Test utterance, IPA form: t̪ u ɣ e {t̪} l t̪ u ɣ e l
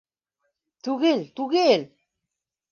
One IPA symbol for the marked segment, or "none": none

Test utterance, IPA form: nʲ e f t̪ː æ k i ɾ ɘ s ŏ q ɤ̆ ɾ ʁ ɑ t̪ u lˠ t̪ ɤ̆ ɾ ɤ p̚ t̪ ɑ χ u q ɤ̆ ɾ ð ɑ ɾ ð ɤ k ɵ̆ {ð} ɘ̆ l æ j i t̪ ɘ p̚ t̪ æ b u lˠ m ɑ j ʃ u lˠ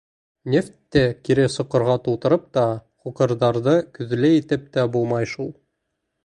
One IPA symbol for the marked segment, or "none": ð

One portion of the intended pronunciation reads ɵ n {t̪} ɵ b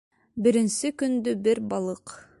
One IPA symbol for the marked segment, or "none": d̪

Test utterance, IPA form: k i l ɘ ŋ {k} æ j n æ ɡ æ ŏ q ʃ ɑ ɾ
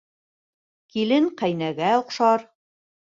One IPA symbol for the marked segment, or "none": q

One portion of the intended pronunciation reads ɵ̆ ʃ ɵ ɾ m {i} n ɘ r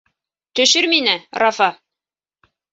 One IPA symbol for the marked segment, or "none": i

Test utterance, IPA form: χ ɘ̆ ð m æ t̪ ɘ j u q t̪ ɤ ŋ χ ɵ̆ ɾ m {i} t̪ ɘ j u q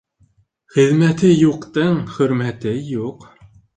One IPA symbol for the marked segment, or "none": æ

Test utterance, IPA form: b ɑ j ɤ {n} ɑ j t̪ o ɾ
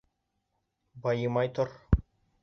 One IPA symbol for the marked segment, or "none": m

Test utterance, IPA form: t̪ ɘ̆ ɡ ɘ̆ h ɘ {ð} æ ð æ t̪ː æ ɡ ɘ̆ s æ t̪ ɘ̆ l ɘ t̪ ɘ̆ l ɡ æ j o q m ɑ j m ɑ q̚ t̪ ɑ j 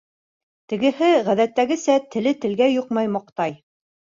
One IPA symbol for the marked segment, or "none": ʁ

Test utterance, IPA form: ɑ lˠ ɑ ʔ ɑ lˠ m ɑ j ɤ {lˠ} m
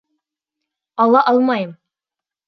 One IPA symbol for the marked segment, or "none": none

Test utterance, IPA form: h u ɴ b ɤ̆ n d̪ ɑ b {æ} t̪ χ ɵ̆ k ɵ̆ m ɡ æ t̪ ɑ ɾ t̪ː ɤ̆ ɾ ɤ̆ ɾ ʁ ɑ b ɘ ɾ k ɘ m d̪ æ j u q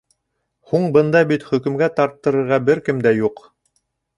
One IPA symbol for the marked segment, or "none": i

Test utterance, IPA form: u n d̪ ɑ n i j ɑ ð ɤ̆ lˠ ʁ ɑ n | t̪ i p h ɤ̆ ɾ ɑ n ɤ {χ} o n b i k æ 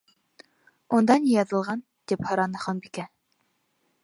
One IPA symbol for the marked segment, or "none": χ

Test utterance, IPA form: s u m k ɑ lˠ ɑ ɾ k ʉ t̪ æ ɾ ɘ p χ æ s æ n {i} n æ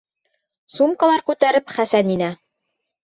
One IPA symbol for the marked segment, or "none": i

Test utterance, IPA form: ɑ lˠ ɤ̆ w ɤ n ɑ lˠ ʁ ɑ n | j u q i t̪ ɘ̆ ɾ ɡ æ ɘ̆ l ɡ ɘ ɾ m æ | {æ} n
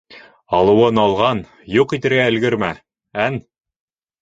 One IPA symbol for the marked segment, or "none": æ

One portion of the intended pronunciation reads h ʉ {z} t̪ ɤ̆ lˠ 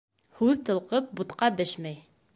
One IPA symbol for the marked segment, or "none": ð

